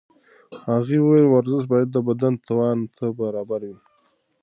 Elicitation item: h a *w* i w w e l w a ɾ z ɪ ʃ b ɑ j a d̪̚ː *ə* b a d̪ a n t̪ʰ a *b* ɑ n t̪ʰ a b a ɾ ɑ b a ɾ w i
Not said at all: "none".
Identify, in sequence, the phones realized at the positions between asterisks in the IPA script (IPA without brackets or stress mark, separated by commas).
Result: ɣ, ə, w